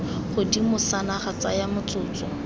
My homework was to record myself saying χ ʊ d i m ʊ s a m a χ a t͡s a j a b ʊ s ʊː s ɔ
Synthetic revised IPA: χ ʊ d i m ʊ s a n a χ a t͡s a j a m ʊ t͡s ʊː t͡s ɔ